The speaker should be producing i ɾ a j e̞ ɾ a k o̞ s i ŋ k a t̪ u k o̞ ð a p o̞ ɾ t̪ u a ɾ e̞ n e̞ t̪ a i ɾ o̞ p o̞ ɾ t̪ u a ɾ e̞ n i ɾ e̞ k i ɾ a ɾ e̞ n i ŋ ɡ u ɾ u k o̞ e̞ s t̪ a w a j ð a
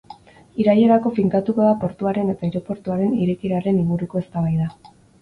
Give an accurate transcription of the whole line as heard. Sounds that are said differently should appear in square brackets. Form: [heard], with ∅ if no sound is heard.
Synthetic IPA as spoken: i ɾ a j e̞ ɾ a k o̞ [f] i ŋ k a t̪ u k o̞ ð a p o̞ ɾ t̪ u a ɾ e̞ n e̞ t̪ a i ɾ o̞ p o̞ ɾ t̪ u a ɾ e̞ n i ɾ e̞ k i ɾ a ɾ e̞ n i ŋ ɡ u ɾ u k o̞ e̞ s t̪ a [β] a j ð a